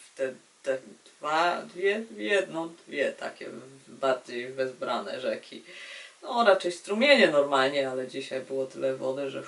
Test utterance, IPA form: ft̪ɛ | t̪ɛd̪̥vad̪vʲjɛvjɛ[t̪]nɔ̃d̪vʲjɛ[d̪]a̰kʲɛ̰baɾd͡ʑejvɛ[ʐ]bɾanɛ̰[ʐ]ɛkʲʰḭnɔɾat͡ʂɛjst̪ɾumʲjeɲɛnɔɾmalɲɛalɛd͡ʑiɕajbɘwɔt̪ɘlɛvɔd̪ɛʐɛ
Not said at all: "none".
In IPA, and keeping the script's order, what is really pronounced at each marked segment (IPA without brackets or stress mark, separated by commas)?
d̪, t̪, z, ʐ